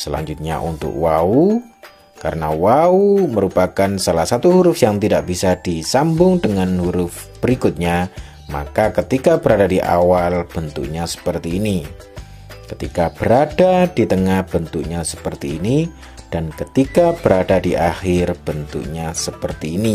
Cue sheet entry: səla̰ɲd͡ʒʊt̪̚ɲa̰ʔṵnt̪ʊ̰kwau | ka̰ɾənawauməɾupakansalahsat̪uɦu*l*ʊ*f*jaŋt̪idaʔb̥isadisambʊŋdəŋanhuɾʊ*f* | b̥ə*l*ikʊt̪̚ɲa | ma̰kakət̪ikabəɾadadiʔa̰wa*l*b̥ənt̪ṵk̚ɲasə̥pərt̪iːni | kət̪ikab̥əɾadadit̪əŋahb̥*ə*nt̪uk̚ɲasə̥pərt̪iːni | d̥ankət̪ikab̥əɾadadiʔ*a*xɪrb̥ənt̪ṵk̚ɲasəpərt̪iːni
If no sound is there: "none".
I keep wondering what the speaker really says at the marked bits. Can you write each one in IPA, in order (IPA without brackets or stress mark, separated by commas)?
ɾ, f, f, ɾ, l, ə, a